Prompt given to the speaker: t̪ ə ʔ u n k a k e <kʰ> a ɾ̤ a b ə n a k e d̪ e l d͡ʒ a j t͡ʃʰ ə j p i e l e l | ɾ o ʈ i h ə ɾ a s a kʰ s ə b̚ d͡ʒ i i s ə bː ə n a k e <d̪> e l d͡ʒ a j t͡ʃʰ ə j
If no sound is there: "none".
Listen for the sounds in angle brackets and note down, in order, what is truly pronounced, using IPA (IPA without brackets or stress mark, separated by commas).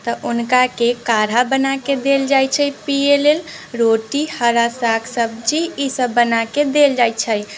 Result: k, d̪